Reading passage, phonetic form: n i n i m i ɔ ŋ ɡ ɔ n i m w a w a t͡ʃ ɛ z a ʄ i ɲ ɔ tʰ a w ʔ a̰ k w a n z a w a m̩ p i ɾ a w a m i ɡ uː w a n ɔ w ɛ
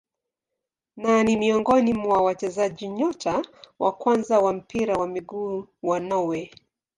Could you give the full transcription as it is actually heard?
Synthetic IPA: n a n i m i ɔ ŋ ɡ ɔ n i m w a w a t͡ʃ ɛ z a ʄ i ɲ ɔ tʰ a w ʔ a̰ k w a n z a w a m̩ p i ɾ a w a m i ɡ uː w a n ɔ w ɛ